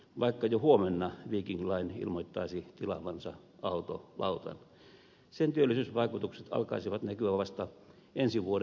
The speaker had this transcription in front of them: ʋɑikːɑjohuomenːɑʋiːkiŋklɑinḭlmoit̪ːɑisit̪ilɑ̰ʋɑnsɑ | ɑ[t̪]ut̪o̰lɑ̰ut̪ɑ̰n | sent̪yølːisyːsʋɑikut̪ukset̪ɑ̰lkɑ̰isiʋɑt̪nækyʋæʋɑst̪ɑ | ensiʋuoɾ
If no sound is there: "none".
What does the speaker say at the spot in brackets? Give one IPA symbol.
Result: none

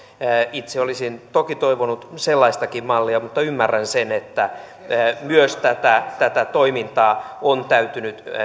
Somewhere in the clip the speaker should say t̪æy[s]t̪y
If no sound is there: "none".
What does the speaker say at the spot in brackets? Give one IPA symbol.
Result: none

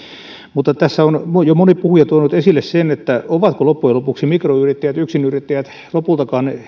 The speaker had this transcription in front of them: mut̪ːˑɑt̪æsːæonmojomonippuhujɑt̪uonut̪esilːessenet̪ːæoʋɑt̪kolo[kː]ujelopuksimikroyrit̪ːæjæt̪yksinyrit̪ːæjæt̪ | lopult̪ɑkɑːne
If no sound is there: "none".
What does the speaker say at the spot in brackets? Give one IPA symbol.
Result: pː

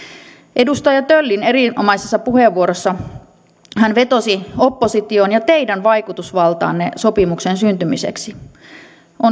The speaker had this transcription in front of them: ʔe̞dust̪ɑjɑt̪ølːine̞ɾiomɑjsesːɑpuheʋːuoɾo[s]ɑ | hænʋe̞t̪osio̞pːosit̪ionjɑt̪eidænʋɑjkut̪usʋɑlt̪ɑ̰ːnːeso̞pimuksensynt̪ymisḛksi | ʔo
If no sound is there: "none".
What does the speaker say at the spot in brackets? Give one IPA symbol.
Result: sː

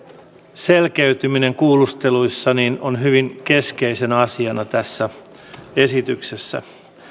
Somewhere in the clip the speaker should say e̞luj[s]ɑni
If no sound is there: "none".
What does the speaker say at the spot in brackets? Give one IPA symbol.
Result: sː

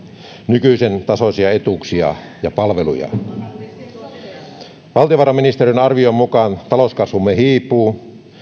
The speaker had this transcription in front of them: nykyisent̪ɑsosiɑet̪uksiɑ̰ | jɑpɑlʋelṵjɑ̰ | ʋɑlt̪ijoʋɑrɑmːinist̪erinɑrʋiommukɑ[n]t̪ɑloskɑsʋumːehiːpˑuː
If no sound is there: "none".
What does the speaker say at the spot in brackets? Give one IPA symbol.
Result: n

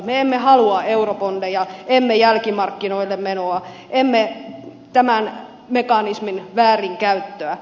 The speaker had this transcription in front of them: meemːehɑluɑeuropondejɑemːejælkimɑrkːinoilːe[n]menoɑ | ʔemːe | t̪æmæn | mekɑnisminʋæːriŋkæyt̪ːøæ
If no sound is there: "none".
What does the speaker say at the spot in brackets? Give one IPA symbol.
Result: m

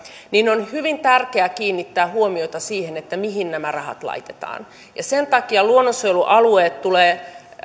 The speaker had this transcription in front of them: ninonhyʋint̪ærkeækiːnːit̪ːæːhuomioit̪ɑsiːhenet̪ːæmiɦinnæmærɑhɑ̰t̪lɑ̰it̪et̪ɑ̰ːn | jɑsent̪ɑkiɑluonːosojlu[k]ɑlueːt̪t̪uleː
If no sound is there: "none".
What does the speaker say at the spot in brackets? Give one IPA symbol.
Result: ʔ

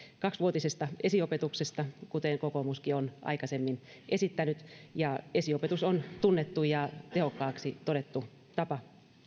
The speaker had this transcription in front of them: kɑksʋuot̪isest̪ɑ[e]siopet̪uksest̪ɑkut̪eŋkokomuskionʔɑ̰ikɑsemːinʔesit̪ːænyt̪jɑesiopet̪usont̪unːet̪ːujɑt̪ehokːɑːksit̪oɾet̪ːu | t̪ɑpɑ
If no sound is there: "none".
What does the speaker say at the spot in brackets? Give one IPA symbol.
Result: e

